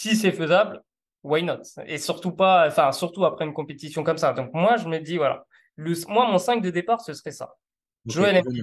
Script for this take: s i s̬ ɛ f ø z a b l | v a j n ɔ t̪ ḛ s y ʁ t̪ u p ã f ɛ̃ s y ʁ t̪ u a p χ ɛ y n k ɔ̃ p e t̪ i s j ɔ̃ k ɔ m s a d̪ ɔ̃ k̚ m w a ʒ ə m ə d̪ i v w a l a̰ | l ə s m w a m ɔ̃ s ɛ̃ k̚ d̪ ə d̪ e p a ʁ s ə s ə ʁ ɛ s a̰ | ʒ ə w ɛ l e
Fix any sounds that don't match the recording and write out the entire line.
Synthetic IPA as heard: s i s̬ ɛ f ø z a b l | w a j n ɔ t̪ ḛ s y ʁ t̪ u p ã f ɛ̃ s y ʁ t̪ u a p χ ɛ y n k ɔ̃ p e t̪ i s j ɔ̃ k ɔ m s a d̪ ɔ̃ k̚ m w a ʒ ə m ə d̪ i v w a l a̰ | l ə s m w a m ɔ̃ s ɛ̃ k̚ d̪ ə d̪ e p a ʁ s ə s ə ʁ ɛ s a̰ | ʒ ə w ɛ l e